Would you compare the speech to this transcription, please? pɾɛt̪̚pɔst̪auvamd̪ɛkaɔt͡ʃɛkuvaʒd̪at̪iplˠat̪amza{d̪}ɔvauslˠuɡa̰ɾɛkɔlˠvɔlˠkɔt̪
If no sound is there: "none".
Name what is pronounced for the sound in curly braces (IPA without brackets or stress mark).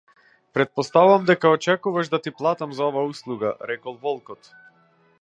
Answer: none